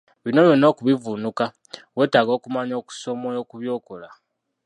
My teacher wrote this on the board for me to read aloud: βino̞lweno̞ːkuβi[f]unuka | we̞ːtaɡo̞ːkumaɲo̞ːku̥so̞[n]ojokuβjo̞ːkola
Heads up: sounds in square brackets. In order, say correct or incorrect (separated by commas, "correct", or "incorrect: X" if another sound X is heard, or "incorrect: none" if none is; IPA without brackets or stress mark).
incorrect: v, incorrect: m